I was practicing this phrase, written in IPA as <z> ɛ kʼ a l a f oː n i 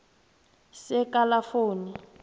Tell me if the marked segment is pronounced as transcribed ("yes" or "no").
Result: no